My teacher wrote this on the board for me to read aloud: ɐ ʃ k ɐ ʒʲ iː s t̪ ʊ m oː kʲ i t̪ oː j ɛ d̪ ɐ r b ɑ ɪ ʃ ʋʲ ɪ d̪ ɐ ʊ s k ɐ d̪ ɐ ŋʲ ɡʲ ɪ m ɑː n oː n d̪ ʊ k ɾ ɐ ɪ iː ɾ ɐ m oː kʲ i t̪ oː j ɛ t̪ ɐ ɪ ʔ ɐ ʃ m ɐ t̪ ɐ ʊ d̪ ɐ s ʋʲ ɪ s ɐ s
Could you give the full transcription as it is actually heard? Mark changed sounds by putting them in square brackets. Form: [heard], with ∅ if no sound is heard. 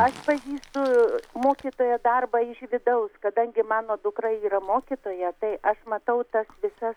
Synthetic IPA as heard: ɐ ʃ [p] ɐ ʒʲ iː s t̪ ʊ m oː kʲ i t̪ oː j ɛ d̪ ɐ r b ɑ ɪ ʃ ʋʲ ɪ d̪ ɐ ʊ s k ɐ d̪ ɐ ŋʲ ɡʲ ɪ m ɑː n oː [∅] d̪ ʊ k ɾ ɐ ɪ iː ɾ ɐ m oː kʲ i t̪ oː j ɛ t̪ ɐ ɪ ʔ ɐ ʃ m ɐ t̪ ɐ ʊ [t̪] ɐ s ʋʲ ɪ s ɐ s